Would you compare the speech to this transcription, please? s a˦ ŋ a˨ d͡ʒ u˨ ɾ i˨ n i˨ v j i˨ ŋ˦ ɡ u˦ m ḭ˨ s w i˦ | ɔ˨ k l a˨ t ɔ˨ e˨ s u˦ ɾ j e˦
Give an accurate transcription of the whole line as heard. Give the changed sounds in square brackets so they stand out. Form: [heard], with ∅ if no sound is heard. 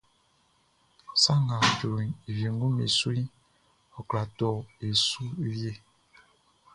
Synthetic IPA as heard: s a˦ ŋ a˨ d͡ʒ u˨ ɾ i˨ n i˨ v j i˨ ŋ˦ ɡ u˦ m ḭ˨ s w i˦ | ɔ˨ k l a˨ t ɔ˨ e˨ s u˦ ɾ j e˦